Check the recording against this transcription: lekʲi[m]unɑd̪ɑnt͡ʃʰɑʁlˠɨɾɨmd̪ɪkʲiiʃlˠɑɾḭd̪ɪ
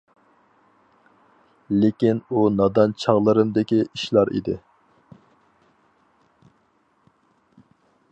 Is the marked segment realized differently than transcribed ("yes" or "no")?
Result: yes